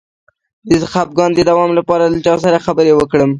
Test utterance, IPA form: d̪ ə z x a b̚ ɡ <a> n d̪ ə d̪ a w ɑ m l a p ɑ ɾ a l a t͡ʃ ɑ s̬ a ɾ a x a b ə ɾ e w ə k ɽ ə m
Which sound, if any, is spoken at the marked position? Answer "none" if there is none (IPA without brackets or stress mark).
ɑ